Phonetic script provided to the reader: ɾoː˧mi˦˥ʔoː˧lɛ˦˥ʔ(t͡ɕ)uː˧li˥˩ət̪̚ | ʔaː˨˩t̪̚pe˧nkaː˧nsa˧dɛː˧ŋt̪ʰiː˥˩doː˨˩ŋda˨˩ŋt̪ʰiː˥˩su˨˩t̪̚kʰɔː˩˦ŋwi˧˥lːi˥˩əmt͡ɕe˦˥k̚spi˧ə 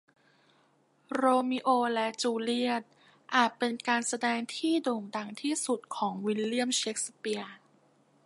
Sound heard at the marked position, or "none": t͡ɕ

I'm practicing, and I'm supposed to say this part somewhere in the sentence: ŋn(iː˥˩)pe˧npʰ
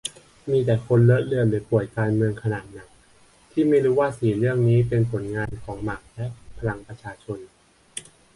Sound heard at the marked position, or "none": iː˦˥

